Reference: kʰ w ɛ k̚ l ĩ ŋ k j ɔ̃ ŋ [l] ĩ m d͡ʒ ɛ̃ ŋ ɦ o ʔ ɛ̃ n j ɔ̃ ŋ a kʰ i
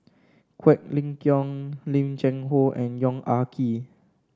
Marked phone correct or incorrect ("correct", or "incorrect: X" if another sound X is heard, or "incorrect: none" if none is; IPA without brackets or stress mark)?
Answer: correct